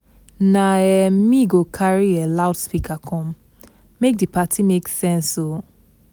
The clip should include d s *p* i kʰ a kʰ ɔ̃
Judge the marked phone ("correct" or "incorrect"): correct